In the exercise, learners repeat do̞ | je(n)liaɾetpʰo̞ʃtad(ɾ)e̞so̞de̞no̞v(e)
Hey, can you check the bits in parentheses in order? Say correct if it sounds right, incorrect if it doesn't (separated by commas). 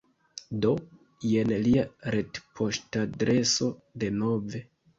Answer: correct, correct, correct